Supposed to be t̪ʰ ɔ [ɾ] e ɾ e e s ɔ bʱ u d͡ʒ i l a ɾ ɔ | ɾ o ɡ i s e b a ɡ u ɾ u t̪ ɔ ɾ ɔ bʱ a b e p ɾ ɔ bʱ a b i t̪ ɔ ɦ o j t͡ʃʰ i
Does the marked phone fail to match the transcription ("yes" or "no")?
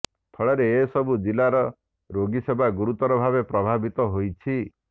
yes